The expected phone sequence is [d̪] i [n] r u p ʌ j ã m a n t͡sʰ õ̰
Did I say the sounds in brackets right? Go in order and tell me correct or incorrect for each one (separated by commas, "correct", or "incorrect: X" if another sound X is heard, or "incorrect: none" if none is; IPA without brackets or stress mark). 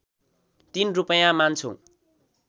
incorrect: t̪, correct